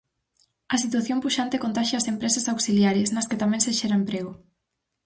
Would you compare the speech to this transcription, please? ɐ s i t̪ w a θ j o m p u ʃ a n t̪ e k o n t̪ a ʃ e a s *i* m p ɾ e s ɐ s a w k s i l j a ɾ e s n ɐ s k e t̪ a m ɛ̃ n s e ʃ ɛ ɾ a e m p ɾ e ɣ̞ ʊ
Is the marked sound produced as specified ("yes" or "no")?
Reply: no